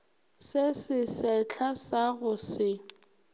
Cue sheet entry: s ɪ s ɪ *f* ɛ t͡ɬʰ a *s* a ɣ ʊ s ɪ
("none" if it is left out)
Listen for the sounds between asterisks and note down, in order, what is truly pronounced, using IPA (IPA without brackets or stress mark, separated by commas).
s, s